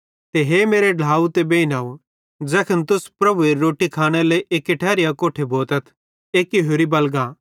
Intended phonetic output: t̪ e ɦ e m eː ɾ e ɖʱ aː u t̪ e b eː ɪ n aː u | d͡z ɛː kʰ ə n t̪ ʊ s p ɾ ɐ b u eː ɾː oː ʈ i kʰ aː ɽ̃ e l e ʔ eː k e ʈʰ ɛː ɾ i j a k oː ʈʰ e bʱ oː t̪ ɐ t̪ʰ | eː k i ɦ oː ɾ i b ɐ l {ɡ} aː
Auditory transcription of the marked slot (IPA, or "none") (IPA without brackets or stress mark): ɡ